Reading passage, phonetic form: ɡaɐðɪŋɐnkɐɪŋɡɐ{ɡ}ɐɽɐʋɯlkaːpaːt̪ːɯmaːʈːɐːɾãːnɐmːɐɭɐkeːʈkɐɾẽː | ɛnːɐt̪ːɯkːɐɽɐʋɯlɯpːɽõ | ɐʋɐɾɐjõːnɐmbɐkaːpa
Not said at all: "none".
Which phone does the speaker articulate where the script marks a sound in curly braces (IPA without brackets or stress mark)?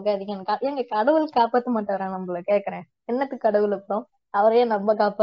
k